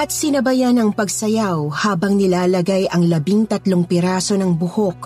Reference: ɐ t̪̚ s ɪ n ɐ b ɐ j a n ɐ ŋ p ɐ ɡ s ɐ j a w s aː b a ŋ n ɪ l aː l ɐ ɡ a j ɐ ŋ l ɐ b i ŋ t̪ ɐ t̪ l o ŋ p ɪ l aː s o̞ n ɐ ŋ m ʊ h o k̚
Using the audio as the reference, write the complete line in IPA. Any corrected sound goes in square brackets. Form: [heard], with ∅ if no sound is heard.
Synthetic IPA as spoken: ɐ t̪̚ s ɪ n ɐ b ɐ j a n ɐ ŋ p ɐ ɡ s ɐ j a w [h] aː b [ɐ] ŋ n ɪ l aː l ɐ ɡ a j ɐ ŋ l ɐ b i ŋ t̪ ɐ t̪ l o ŋ p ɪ [ɾ] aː s o̞ n ɐ ŋ [b] ʊ h o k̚